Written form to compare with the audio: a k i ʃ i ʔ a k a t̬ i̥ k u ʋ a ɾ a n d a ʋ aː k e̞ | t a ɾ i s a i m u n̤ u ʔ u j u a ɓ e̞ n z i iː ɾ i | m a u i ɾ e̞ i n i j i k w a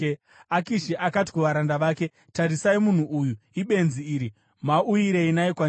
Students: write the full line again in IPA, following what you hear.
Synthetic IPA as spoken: a k i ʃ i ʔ a k a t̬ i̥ k u ʋ a ɾ a n d a ʋ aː k e̞ | t a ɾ i s a i m u n̤ u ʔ u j u i ɓ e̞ n z i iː ɾ i | m a u i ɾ e̞ i n a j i k w a

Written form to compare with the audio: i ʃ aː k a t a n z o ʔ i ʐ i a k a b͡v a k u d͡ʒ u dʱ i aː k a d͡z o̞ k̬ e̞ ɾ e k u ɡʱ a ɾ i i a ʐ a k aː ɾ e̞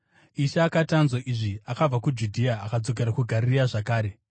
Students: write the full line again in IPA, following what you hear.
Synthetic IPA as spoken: i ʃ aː k a t a n z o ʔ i ʐ i a k a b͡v a k u d͡ʒ u dʱ i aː k a d͡z o̞ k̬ e̞ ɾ a k u ɡʱ a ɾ i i a ʐ a k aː ɾ e̞

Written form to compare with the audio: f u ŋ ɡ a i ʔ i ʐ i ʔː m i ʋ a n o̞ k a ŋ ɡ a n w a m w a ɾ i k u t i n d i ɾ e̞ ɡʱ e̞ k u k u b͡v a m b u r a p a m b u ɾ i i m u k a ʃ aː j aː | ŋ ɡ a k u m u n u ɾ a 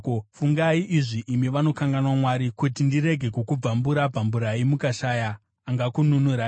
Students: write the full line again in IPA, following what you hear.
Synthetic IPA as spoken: f u ŋ ɡ a i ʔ i ʐ i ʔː m i ʋ a n o̞ k a ŋ ɡ a n w a m w a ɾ i k u t i n d i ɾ e̞ ɡʱ e̞ k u k u b͡v a m b u ɾ a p a m b u ɾ a i m u k a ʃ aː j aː | ŋ ɡ a k u n u n u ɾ a

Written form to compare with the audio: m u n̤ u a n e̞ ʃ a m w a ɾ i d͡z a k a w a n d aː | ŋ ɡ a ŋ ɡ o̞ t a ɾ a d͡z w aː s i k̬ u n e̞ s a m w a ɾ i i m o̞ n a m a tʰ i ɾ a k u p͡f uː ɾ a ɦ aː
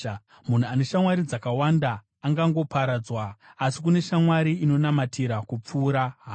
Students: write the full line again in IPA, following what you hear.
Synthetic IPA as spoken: m u n̤ u a n e̞ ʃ a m w a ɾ i d͡z a k a w a n d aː | ŋ ɡ a ŋ ɡ o̞ p a ɾ a d͡z w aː s i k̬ u n e̞ ʃ a m w a ɾ i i n o̞ n a m a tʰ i ɾ a k u p͡f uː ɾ a ɦ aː

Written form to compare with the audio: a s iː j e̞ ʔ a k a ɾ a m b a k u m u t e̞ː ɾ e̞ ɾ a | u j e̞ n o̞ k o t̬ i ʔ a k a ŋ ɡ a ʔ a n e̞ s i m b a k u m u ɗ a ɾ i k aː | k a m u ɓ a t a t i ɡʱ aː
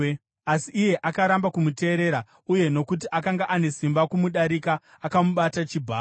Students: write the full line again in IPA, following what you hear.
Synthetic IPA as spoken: a s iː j e̞ ʔ a k a ɾ a m b a k u m u t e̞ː ɾ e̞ ɾ a | u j e̞ n o̞ k u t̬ i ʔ a k a ŋ ɡ a ʔ a n e̞ s i m b a k u m u ɗ a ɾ i k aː | k a m u ɓ a t a t͡ʃ i bʱ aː

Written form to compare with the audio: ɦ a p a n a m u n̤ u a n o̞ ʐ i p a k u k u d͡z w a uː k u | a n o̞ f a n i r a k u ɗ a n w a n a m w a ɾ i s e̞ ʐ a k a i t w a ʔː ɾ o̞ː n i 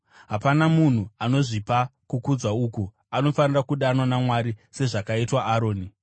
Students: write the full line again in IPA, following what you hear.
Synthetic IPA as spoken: ɦ a p a n a m u n̤ u a n o̞ ʐ i p a k u k u d͡z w a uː k u | a n o̞ f a n i r a k u ɗ a n w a n a m w a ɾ i s e̞ ʐ a k a i t w a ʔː ɾ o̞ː n i

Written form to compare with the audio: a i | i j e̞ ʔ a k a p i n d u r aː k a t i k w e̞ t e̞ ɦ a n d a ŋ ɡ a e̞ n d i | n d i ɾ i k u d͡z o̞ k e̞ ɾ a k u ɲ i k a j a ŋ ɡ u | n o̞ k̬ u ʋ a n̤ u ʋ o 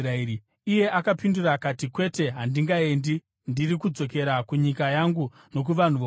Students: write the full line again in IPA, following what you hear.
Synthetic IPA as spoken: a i | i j e̞ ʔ a k a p i n d u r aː k a t i k w e̞ t e̞ ɦ a n d i ŋ ɡ a e̞ n d i | n d i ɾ i k u d͡z o̞ k e̞ ɾ a k u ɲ i k a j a ŋ ɡ u | n o̞ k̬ u ʋ a n̤ u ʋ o

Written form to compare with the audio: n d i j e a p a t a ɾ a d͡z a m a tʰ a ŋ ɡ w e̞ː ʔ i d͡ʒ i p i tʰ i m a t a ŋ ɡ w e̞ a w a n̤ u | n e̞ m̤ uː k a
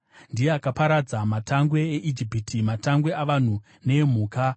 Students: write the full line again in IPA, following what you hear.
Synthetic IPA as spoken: n d i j e a k a p a ɾ a d͡z a m a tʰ a ŋ ɡ w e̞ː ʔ i d͡ʒ i p i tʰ i m a t a ŋ ɡ w e̞ a ʋ a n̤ u | n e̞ m̤ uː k a

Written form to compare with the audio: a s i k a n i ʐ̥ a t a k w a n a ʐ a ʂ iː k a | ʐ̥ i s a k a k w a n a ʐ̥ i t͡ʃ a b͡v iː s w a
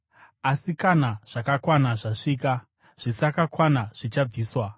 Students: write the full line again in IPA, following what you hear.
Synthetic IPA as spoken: a s i k a n a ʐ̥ a k a k w a n a ʐ a ʂ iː k a | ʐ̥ i s a k a k w a n a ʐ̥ i t͡ʃ a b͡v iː s w a

